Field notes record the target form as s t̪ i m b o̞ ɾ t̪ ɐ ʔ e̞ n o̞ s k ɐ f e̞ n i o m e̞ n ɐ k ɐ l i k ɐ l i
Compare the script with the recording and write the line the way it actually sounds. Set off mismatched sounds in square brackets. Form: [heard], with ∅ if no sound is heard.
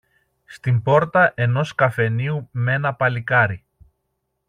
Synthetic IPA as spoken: s t̪ i m b o̞ ɾ t̪ ɐ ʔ e̞ n o̞ s k ɐ f e̞ n i [u] m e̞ n ɐ [p] ɐ l i k ɐ [ɾ] i